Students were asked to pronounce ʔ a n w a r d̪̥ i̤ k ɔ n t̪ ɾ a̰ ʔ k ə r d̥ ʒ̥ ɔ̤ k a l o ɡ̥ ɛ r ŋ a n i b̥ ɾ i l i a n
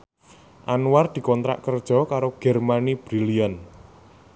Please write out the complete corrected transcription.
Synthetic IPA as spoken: ʔ a n w a r d̪̥ i̤ k ɔ n t̪ ɾ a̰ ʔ k ə r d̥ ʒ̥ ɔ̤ k a ɾ o ɡ̥ ɛ r m a n i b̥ ɾ i l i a n